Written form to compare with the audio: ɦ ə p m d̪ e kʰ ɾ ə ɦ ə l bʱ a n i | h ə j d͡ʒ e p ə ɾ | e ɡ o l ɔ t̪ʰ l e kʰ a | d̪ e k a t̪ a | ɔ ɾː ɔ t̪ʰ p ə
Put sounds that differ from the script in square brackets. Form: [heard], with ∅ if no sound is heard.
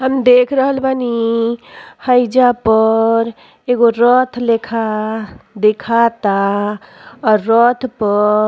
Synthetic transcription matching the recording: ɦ ə [∅] m d̪ e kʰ ɾ ə ɦ ə l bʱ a n i | h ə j d͡ʒ [a] p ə ɾ | e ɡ o [ɾ] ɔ t̪ʰ l e kʰ a | d̪ e [kʰ] a t̪ a | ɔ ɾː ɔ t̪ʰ p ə